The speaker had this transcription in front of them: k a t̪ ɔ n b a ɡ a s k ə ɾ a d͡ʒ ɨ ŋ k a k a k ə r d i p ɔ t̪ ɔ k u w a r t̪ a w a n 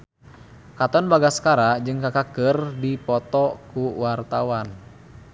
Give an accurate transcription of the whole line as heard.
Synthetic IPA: k a t̪ ɔ n b a ɡ a s k a ɾ a d͡ʒ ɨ ŋ k a k a k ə r d i p ɔ t̪ ɔ k u w a r t̪ a w a n